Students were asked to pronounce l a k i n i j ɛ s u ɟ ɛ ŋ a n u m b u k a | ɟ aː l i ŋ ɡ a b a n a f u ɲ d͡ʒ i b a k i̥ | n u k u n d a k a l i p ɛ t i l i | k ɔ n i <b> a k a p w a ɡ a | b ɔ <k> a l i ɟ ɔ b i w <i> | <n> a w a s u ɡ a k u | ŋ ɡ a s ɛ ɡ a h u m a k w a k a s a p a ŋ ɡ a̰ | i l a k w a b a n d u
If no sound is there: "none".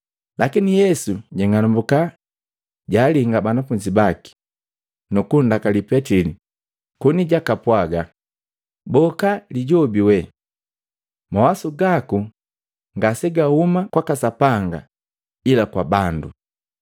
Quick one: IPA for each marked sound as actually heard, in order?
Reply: ɟ, k, ɛ, m

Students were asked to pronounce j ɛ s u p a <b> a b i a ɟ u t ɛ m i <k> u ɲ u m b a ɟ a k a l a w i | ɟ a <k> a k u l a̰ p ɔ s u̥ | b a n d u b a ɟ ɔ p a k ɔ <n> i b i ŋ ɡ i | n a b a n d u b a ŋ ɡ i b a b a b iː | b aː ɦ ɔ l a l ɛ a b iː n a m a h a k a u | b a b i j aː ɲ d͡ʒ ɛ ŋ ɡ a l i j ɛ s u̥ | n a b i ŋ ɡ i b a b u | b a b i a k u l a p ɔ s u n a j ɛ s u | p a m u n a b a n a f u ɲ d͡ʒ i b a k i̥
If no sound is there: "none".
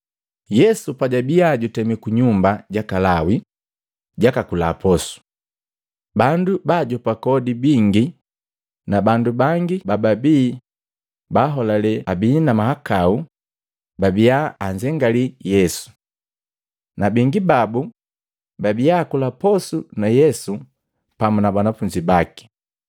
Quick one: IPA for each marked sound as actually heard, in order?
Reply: ɟ, k, k, d

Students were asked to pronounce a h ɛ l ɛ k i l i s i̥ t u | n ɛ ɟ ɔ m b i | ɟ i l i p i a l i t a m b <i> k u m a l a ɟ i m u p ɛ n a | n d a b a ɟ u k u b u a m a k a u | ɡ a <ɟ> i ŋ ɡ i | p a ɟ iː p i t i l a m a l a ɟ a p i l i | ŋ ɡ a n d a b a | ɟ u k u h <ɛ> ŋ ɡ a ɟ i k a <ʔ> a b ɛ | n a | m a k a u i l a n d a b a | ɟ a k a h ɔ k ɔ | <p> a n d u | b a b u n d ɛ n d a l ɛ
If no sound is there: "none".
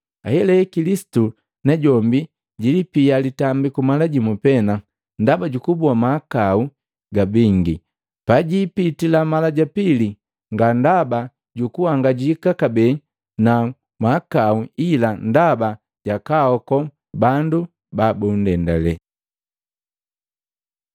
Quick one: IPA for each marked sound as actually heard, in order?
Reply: i, b, a, k, b

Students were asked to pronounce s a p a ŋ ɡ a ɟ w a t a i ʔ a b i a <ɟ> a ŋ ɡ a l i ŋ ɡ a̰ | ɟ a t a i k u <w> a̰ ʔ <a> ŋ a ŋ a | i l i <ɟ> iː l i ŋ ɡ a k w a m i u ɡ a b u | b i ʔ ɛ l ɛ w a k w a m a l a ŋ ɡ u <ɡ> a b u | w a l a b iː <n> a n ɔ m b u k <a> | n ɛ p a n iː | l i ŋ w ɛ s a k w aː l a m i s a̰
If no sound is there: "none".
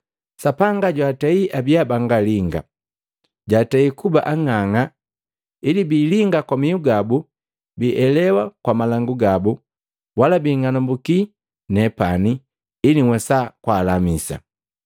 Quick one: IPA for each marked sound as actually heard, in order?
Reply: b, b, a, b, ɡ, ŋ, i

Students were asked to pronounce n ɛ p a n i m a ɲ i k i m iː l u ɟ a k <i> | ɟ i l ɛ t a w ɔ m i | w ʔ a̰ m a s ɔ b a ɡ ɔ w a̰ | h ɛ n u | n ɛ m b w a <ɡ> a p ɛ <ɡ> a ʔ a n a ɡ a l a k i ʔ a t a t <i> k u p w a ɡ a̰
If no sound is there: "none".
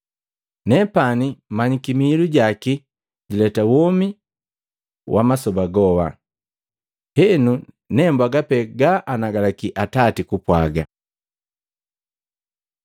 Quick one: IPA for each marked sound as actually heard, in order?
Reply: i, ɡ, ɡ, i

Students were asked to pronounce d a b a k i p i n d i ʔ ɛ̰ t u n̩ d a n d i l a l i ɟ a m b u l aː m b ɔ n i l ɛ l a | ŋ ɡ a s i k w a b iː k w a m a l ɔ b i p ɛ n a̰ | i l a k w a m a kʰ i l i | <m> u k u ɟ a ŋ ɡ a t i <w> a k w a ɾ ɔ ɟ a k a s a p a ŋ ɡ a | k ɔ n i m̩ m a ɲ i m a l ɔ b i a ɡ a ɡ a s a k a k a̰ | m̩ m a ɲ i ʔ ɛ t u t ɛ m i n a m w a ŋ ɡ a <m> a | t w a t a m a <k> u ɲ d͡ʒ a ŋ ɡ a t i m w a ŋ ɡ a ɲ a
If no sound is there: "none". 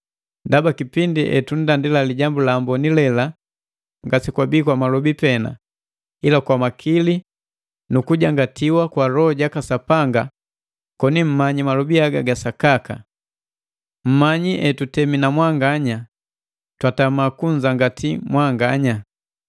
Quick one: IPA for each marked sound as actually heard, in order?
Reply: n, w, ɲ, k

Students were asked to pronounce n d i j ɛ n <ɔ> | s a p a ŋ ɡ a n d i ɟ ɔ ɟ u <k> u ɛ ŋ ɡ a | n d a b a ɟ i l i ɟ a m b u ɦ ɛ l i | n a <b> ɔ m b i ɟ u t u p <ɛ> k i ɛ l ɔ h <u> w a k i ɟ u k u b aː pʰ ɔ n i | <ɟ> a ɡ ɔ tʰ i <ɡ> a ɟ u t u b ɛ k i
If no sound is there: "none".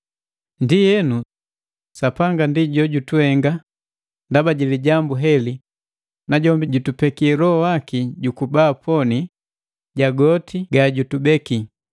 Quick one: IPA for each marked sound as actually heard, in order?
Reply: u, t, ɟ, ɛ, ɔ, ɟ, ɡ

